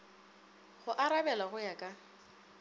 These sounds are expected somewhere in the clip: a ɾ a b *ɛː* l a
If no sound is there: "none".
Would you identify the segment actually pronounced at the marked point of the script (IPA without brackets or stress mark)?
ɛ